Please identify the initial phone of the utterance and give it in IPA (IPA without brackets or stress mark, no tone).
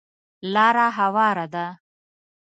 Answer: l